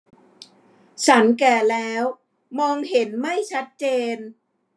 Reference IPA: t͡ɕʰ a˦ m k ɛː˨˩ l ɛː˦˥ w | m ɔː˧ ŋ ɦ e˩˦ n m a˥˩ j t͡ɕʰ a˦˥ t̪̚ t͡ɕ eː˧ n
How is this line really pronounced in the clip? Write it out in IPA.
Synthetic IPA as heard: t͡ɕʰ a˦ n k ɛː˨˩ l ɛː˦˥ w | m ɔː˧ ŋ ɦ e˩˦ n m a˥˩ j t͡ɕʰ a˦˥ t̪̚ t͡ɕ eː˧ n